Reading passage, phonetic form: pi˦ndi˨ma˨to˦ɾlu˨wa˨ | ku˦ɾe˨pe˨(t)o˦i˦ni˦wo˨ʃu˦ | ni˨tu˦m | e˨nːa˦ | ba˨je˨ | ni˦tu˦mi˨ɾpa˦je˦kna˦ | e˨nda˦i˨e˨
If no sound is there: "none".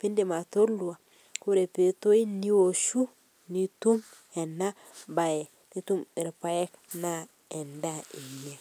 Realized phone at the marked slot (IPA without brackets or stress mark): t